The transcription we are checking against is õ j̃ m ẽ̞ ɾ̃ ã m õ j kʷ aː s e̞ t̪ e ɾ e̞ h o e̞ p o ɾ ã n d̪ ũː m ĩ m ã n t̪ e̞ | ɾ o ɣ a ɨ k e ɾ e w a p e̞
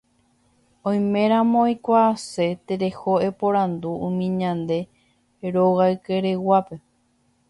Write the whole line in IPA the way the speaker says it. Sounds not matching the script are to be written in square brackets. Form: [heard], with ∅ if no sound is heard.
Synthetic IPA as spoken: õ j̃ m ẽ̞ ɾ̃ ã m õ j kʷ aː s e̞ t̪ e ɾ e̞ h o e̞ p o ɾ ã n d̪ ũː m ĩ [ɲ] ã n [d̪] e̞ | ɾ o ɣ a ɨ k e ɾ e w a p e̞